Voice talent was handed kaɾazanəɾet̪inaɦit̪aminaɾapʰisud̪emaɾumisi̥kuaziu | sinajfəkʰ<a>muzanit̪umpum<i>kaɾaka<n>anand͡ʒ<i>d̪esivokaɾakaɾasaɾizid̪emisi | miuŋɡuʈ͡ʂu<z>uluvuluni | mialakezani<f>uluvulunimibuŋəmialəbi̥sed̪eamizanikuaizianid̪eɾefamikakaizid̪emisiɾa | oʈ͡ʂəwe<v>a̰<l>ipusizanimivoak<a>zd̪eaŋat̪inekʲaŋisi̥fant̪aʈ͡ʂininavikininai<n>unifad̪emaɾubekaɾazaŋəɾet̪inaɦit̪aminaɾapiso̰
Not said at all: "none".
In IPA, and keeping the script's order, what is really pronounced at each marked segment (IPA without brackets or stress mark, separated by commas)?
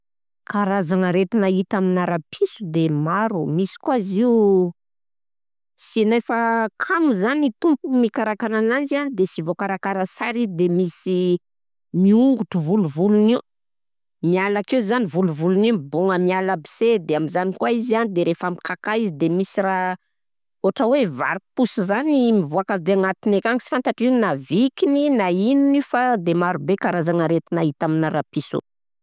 a, i, n, a, v, v, v, ɾ, a, n